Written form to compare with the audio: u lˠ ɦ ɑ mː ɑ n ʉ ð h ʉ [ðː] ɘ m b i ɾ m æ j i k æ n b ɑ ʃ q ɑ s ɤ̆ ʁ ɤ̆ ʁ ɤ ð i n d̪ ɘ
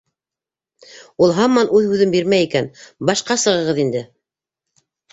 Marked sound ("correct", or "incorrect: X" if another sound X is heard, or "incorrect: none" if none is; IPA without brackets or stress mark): incorrect: ð